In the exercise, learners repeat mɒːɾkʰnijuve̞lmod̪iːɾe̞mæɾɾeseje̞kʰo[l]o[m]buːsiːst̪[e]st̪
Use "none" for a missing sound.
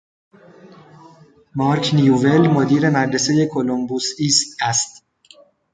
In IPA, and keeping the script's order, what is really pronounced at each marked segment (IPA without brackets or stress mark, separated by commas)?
l, m, æ